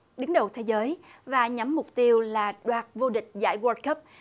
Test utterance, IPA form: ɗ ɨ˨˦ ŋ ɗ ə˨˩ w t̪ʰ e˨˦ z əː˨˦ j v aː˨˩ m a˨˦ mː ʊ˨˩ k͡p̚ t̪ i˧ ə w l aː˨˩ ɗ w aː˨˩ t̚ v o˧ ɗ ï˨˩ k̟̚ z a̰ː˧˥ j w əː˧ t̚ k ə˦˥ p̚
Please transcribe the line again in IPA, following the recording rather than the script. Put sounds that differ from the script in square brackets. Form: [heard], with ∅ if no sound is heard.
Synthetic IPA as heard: ɗ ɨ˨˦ ŋ ɗ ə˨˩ w t̪ʰ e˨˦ z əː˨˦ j v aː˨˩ [ɲ] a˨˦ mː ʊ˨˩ k͡p̚ t̪ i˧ ə w l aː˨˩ ɗ w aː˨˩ t̚ v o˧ ɗ ï˨˩ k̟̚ z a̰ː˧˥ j w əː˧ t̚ k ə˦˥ p̚